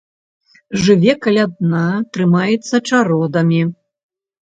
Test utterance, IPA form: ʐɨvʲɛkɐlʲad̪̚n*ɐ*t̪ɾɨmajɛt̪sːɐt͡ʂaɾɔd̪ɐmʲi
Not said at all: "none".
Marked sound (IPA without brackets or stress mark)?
a